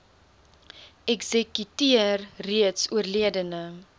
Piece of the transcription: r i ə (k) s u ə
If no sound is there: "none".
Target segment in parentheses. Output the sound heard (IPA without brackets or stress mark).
t